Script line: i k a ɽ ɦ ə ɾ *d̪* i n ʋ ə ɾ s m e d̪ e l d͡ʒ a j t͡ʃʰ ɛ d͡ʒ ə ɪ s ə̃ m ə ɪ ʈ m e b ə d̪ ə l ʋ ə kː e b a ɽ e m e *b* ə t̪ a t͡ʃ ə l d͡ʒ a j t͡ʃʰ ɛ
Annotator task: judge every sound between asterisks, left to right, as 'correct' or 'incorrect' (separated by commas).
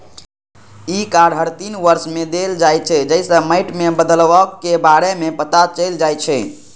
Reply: incorrect, incorrect